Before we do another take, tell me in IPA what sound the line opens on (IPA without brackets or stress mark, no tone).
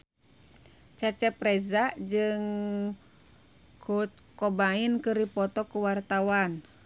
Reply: t͡ʃ